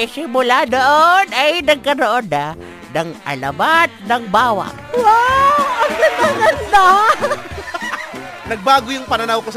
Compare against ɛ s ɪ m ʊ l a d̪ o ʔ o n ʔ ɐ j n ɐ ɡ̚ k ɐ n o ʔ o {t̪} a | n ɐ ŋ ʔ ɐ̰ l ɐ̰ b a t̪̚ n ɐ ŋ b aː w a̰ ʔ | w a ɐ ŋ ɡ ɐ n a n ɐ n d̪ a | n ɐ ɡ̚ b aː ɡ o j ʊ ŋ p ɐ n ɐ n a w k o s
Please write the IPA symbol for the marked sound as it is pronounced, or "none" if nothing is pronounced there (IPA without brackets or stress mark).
d̪